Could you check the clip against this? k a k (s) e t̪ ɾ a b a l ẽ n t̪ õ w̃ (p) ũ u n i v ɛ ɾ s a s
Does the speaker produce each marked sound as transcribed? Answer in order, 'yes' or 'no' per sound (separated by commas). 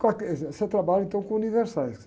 yes, no